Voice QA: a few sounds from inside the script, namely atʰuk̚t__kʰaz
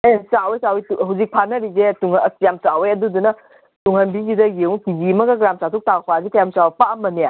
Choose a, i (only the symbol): a